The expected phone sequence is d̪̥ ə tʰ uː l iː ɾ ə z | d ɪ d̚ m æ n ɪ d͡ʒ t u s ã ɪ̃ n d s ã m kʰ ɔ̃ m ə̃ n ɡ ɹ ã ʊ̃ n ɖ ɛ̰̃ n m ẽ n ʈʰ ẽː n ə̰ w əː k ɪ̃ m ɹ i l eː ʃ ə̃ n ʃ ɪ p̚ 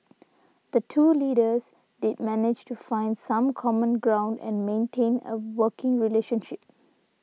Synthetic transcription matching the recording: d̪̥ ə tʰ uː l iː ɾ ə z | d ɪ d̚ m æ n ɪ d͡ʒ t u f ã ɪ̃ n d s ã m kʰ ɔ m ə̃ n ɡ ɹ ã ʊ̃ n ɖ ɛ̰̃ n m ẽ n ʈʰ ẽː n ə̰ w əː k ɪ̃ ŋ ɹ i l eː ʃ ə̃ n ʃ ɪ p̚